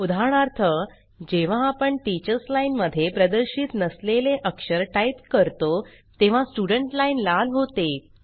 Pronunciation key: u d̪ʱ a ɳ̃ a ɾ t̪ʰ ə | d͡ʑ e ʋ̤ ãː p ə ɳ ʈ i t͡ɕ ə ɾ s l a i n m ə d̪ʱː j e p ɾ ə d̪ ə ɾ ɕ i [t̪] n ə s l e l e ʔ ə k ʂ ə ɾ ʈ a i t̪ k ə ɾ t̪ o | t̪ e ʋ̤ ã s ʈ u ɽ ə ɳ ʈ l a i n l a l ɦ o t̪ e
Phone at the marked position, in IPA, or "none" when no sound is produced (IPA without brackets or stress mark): t̪